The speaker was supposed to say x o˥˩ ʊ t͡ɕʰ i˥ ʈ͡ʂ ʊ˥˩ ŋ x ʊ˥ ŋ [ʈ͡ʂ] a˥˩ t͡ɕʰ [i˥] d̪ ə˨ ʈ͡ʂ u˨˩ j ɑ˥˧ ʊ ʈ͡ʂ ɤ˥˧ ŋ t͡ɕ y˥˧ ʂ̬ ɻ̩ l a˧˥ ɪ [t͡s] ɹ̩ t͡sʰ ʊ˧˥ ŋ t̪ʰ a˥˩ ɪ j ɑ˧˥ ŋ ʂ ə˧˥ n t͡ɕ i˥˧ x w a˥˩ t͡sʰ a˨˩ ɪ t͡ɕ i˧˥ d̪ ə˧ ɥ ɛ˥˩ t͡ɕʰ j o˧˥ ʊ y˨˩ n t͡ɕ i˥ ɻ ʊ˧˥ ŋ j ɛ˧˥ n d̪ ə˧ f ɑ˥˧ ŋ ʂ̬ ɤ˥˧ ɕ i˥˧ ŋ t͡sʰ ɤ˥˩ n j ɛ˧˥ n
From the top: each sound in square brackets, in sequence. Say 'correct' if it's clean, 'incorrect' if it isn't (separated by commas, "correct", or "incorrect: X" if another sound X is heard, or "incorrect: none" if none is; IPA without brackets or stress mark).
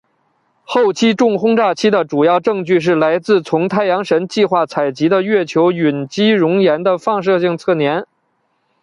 correct, correct, correct